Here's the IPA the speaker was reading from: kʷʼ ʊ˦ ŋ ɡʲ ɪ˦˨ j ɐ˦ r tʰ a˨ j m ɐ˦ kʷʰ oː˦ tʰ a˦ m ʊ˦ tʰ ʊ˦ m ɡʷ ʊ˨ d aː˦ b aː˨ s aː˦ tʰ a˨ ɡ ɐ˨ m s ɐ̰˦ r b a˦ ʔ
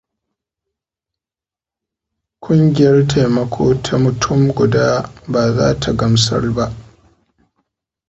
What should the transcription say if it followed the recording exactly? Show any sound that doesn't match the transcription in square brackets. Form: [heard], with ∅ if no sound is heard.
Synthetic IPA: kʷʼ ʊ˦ ŋ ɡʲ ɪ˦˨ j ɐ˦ r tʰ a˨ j m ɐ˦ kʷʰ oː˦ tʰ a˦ m [ʊ˨] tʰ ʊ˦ m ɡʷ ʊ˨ d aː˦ b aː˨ [z] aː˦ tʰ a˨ ɡ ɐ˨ m s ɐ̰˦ r b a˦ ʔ